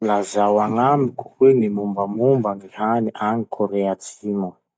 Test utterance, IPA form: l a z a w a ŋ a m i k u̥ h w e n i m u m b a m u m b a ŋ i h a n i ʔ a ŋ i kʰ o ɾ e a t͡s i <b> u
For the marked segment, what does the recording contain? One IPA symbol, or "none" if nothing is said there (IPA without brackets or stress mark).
m